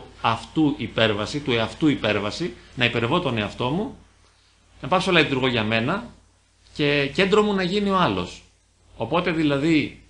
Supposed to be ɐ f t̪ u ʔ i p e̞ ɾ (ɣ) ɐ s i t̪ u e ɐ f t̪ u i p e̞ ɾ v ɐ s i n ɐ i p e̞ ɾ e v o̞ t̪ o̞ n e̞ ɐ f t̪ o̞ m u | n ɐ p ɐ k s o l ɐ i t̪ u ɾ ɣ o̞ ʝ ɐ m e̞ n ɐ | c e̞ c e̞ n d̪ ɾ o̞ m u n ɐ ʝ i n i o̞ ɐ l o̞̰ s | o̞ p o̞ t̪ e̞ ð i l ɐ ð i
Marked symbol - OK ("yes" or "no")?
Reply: no